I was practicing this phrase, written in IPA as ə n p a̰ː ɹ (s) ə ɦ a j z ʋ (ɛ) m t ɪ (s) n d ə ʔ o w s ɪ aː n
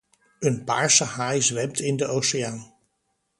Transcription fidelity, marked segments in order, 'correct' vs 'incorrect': correct, correct, incorrect: none

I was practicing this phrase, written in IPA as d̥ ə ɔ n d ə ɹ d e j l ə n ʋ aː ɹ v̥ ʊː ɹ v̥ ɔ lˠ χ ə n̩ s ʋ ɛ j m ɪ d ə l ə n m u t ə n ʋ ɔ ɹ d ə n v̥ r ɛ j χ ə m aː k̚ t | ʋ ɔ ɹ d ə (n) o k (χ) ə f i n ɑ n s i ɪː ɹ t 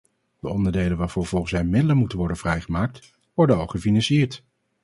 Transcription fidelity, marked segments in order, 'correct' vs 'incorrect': correct, correct

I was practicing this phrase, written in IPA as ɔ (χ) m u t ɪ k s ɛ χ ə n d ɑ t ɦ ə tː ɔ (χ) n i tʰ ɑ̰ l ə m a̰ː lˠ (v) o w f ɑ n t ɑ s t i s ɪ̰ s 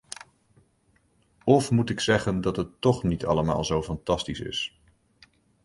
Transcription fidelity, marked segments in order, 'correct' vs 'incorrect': incorrect: f, correct, incorrect: z

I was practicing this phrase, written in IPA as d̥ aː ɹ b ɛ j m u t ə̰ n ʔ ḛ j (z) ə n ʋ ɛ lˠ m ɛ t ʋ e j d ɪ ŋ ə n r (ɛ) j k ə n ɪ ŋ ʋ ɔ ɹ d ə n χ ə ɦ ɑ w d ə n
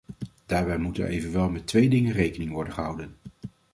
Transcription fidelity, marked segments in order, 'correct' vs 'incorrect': incorrect: v, incorrect: e

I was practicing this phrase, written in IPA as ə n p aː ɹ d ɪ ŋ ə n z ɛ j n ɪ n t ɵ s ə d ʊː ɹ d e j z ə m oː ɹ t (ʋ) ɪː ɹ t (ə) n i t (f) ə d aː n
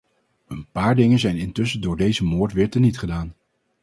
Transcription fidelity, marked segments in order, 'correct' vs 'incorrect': correct, correct, incorrect: χ

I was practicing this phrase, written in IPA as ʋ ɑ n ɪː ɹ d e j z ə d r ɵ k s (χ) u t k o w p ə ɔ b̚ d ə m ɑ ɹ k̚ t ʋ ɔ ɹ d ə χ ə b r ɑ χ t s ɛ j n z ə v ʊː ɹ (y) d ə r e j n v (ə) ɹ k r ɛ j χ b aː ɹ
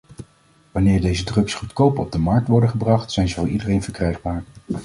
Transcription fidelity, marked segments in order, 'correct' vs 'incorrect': correct, incorrect: i, correct

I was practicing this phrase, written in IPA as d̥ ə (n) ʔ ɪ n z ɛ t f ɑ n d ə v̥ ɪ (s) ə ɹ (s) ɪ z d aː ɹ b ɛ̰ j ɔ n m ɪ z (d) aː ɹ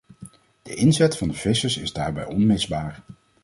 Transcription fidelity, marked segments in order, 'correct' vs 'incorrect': incorrect: none, correct, correct, incorrect: b

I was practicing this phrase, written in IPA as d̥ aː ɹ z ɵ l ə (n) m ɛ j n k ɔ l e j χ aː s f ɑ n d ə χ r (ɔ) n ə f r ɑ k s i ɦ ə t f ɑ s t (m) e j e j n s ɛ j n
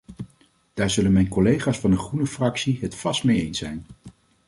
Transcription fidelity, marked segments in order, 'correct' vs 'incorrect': correct, incorrect: u, correct

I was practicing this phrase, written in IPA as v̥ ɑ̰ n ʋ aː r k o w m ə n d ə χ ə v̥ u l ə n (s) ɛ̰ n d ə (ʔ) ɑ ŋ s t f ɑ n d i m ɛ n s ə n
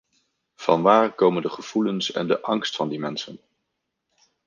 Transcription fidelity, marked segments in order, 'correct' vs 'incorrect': correct, correct

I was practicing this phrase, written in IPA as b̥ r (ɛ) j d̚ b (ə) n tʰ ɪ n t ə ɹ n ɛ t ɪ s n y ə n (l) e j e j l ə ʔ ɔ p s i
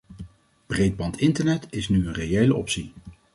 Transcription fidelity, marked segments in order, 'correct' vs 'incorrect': incorrect: e, incorrect: ɑ, incorrect: r

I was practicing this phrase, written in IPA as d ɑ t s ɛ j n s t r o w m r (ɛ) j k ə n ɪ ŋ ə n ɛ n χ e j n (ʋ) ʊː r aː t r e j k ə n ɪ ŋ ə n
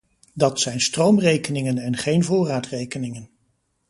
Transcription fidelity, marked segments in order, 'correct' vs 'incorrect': incorrect: e, incorrect: v

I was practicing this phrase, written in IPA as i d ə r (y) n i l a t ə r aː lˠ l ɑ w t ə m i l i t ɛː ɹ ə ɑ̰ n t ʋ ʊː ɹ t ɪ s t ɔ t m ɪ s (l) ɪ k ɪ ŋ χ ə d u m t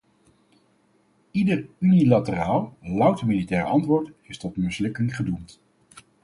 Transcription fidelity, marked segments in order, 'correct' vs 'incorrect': correct, correct

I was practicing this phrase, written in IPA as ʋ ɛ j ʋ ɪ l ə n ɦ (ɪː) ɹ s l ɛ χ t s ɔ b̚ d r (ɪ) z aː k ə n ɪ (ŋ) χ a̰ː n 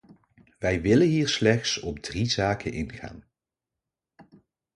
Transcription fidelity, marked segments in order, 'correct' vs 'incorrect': incorrect: iː, incorrect: i, incorrect: n

